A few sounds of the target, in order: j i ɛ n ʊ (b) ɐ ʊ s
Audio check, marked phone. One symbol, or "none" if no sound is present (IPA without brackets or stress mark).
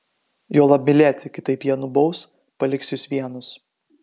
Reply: b